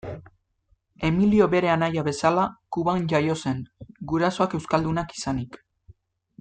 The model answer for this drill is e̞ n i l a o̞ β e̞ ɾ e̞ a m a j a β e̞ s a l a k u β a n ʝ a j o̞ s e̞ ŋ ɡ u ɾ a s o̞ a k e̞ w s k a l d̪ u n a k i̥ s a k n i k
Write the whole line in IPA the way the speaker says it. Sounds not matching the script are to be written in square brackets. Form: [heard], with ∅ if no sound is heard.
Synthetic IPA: e̞ [m] i l [i] o̞ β e̞ ɾ e̞ a [n] a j a β e̞ s a l a k u β a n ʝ a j o̞ s e̞ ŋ ɡ u ɾ a s o̞ a k e̞ w s k a l d̪ u n a k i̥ s a [∅] n i k